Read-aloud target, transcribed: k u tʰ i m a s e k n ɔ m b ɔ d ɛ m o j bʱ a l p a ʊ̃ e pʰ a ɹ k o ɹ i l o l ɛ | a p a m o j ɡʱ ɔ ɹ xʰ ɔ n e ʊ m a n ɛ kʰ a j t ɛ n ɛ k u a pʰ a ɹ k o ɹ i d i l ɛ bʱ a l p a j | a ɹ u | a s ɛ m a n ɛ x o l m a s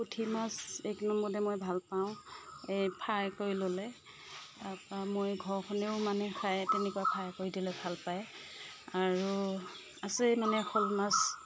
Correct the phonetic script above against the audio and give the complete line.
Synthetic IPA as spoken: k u tʰ i m a s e k n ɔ m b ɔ d ɛ m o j bʱ a l p a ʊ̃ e pʰ a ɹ k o ɹ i l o l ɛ | a p a m o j ɡʱ ɔ ɹ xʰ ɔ n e ʊ m a n ɛ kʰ a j t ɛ n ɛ k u a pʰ a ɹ k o ɹ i d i l ɛ bʱ a l p a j | a ɹ u | a s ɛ m a n ɛ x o l m a s